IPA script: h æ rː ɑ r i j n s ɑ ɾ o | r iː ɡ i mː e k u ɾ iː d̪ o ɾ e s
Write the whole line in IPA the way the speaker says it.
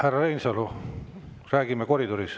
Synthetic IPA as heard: h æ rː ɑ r e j n s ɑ l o | r æː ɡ i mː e k o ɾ i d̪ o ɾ i s